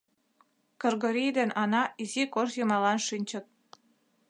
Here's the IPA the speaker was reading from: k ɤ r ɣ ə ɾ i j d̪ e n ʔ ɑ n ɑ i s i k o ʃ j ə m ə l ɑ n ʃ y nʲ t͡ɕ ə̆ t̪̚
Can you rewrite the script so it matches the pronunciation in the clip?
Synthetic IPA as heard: k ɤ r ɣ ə ɾ i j d̪ e n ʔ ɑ n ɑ i z i k o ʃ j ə m ɑ l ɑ n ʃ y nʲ t͡ɕ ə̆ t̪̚